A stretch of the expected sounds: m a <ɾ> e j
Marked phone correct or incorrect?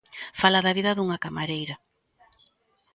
correct